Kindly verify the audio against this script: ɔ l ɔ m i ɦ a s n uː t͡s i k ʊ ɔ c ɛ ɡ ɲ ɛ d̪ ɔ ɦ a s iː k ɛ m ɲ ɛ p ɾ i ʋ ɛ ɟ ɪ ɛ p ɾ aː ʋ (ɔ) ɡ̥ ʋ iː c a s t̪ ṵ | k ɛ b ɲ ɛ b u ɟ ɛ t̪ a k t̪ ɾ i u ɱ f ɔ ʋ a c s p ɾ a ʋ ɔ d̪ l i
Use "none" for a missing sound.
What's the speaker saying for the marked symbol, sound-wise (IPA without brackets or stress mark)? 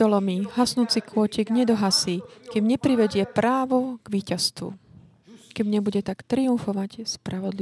ɔ